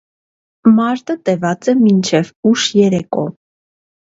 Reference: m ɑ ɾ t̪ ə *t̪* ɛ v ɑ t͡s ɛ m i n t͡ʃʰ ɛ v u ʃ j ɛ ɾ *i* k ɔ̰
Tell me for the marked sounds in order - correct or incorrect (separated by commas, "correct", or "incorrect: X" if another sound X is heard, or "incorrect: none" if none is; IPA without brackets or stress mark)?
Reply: correct, incorrect: ɛ